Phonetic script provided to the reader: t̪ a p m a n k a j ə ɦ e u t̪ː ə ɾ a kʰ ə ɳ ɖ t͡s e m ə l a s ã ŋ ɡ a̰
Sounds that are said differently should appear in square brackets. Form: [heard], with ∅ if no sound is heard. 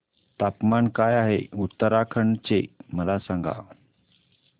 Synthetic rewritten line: t̪ a p m a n k a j [a] ɦ e u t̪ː ə ɾ a kʰ ə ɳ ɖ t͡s e m ə l a s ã ŋ ɡ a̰